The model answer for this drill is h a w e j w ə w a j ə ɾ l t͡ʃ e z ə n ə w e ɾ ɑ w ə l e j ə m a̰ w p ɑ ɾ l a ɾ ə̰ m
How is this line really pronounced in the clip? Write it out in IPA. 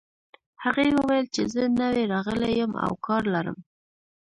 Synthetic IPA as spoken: h a ɣ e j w ə w a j ə l t͡ʃ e z ə n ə w e ɾ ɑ ɣ ə l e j ə m a̰ w k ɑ ɾ l a ɾ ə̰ m